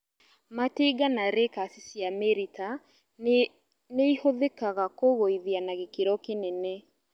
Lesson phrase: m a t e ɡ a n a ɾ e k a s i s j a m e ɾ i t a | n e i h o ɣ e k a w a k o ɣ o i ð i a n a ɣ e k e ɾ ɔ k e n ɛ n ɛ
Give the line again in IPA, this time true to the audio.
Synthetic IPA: m a t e ɡ a n a ɾ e k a s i s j a m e ɾ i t a | n e i h o ð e k a ɣ a k o ɣ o i ð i a n a ɣ e k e ɾ ɔ k e n ɛ n ɛ